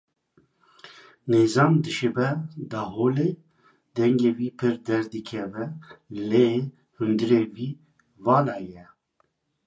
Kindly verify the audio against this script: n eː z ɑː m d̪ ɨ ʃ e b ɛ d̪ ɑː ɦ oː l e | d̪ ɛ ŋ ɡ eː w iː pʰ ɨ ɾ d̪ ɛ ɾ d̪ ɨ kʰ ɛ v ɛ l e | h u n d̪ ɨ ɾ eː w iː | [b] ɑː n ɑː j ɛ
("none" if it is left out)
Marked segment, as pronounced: v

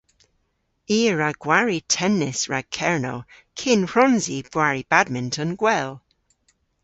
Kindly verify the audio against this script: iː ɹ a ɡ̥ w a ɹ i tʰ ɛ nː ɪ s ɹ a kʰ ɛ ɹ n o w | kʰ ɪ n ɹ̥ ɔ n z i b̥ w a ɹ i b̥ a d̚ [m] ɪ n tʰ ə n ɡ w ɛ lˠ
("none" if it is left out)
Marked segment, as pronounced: m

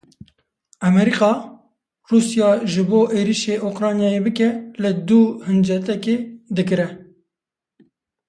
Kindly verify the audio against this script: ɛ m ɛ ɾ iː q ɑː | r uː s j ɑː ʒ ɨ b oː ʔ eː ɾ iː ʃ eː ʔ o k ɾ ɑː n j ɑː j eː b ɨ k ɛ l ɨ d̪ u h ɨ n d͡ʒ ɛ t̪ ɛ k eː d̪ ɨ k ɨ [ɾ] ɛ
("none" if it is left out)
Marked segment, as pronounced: ɾ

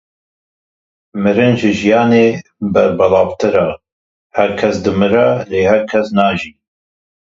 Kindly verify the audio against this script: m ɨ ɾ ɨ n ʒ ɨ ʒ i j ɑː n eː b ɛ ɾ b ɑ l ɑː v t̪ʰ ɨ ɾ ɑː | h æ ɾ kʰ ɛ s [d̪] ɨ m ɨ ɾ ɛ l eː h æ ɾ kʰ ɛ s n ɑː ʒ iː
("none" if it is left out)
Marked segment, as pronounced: d̪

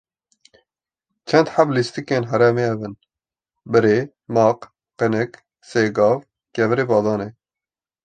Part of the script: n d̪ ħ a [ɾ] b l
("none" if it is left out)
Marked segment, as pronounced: none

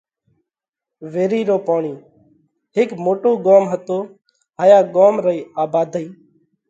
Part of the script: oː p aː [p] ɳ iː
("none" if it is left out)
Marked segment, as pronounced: none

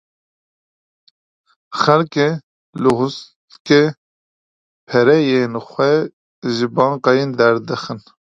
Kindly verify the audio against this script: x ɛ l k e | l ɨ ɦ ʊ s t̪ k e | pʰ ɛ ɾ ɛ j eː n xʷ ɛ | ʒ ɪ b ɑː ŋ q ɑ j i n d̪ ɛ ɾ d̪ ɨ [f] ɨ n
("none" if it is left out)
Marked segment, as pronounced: x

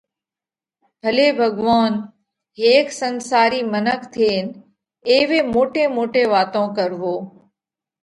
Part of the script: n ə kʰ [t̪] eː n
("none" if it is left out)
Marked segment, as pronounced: t̪ʰ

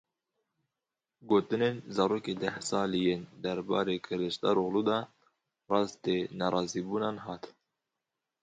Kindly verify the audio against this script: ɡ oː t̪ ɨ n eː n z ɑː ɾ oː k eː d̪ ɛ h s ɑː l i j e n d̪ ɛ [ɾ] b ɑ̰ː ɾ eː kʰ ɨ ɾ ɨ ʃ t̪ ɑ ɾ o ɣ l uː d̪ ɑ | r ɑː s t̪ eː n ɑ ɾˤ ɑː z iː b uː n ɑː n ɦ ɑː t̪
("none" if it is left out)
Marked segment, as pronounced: ɾ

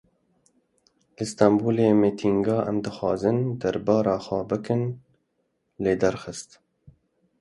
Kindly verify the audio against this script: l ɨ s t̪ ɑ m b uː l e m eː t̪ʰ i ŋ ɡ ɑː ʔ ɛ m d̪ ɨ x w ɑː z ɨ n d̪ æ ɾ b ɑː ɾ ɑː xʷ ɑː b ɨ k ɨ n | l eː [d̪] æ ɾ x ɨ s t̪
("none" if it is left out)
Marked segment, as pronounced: d̪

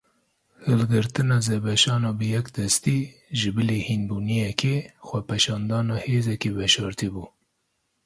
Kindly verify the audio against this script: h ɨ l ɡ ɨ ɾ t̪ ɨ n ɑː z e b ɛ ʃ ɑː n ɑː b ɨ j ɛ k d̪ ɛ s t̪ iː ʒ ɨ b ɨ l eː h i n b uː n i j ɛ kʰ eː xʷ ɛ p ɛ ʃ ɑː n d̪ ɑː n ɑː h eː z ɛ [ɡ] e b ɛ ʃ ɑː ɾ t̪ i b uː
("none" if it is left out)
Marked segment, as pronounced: k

